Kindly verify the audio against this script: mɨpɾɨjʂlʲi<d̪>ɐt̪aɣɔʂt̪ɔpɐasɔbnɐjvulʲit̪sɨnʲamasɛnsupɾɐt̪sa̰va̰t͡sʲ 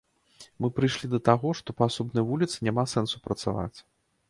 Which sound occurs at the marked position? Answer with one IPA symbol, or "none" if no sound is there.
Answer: d̪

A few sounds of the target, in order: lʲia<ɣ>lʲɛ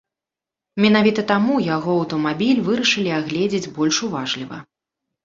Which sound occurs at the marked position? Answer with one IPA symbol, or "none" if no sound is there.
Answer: ɣ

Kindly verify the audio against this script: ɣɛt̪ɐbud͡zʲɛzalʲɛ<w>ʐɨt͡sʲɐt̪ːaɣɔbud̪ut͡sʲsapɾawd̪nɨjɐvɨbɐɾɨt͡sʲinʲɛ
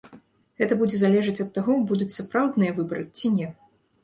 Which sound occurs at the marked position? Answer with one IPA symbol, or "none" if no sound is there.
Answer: none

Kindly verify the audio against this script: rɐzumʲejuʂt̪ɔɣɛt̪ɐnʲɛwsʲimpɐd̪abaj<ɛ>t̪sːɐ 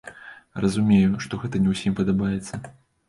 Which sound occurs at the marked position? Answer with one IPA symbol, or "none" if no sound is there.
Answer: ɛ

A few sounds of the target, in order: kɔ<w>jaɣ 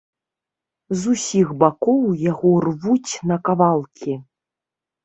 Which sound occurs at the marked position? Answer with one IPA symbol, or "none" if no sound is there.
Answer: w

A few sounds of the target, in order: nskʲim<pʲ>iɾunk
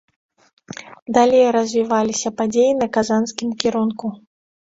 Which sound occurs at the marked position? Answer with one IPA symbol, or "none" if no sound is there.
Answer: kʲ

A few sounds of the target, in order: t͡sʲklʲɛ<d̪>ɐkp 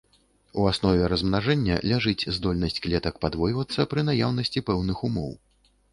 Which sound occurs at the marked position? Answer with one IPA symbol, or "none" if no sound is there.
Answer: t̪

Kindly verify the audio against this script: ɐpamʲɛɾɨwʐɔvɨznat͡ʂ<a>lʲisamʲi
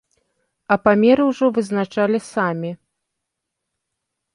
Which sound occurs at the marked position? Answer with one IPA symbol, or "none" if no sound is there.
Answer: a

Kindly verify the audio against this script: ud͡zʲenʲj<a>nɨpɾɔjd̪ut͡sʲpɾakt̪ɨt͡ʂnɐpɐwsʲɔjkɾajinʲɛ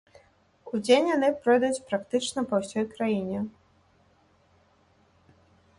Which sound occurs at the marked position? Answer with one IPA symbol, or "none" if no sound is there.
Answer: a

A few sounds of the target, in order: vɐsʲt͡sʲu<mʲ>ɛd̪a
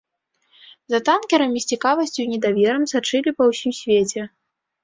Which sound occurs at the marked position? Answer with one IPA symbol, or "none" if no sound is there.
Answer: nʲ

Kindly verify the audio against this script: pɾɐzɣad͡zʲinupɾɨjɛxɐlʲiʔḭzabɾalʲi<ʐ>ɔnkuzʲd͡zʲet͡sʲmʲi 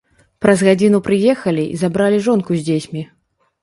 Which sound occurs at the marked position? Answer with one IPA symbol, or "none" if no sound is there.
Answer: ʐ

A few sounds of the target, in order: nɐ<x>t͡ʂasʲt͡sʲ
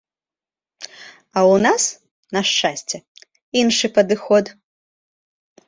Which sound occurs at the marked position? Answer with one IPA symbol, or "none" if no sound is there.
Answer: ʂ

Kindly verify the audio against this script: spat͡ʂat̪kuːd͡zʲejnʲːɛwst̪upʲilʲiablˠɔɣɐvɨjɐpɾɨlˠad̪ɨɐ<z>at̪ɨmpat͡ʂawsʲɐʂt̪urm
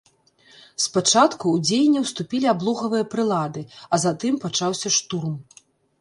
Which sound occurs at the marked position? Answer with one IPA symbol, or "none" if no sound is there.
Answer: z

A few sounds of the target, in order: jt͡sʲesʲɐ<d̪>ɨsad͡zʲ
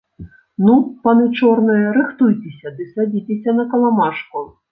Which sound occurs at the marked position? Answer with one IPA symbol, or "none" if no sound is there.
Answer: d̪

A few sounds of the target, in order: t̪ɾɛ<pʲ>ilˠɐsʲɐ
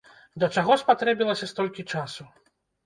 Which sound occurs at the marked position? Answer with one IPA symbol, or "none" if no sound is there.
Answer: bʲ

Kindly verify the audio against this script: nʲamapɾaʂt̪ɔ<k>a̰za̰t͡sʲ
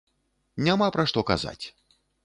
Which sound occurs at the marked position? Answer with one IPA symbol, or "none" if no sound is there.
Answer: k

